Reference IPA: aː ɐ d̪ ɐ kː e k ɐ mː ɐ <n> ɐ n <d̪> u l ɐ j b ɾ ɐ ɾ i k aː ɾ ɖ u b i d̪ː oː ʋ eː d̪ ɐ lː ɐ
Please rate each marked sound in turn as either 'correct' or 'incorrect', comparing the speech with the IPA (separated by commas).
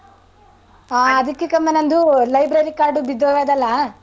correct, correct